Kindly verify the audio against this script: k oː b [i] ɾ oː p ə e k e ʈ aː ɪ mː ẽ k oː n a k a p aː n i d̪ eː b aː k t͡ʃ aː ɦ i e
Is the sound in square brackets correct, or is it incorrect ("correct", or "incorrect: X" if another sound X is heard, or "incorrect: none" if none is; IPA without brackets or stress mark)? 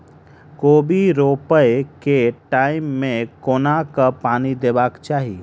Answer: correct